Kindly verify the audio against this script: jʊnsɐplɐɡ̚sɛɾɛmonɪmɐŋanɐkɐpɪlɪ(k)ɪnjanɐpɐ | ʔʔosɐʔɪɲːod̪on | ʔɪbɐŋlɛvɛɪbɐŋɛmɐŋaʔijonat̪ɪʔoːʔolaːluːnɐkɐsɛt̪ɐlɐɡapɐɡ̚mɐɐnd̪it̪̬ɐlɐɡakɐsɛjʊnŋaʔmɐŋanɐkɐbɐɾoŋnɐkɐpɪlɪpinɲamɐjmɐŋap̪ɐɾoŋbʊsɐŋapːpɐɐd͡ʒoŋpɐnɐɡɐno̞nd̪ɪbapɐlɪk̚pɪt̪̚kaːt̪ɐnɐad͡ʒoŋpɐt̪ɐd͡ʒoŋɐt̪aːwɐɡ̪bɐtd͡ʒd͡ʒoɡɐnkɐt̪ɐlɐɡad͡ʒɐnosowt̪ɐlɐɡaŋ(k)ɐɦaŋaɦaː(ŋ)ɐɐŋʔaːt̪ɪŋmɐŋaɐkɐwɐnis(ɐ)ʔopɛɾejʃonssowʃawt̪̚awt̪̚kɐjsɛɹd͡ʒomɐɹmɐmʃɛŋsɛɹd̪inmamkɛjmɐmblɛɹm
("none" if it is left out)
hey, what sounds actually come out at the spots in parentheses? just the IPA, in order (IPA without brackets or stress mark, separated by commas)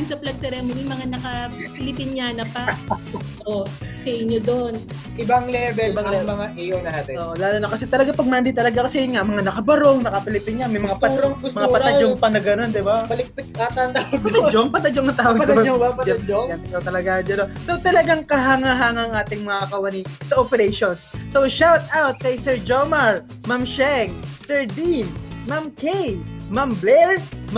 p, k, ŋ, ɐ